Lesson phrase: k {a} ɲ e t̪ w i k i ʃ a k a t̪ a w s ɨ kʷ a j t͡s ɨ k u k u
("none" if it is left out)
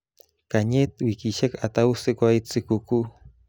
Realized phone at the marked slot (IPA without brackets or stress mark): a